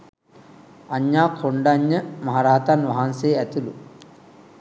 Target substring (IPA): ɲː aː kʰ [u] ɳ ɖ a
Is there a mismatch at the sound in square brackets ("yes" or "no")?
yes